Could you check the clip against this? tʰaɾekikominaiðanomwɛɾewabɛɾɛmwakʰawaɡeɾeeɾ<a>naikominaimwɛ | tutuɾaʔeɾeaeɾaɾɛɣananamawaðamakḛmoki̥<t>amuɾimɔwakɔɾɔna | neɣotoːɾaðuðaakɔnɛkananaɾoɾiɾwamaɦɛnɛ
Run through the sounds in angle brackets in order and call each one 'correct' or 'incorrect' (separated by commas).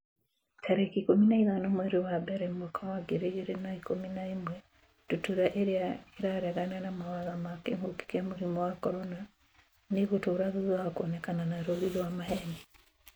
incorrect, incorrect